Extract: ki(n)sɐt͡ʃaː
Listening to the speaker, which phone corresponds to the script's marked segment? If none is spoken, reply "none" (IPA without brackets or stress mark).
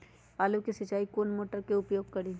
none